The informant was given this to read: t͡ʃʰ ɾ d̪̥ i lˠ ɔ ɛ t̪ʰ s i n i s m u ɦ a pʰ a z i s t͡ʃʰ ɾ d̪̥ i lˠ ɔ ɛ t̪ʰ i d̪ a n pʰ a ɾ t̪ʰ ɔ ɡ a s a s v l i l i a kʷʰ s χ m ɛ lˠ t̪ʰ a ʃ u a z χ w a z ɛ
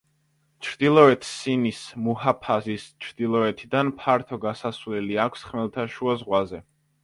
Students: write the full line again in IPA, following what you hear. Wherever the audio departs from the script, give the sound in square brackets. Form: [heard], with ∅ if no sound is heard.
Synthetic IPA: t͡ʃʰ ɾ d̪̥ i lˠ ɔ ɛ t̪ʰ s i n i s m u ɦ a pʰ a z i s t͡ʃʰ ɾ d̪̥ i lˠ ɔ ɛ t̪ʰ i d̪ a n pʰ a ɾ t̪ʰ ɔ ɡ a s a s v l [ɛ] l i a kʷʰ s χ m ɛ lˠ t̪ʰ a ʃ u a z [ʁ] w a z ɛ